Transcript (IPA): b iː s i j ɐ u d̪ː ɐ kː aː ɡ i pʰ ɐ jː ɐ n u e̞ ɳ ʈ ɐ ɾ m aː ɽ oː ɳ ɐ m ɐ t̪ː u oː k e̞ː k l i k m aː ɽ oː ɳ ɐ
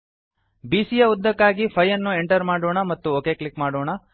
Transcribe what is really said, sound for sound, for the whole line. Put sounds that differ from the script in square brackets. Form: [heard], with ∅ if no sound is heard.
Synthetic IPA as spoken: b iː s i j ɐ u d̪ː ɐ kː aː ɡ i pʰ ɐ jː ɐ [nː] u e̞ ɳ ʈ ɐ ɾ m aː ɽ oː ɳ ɐ m ɐ t̪ː u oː k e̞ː k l i k m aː ɽ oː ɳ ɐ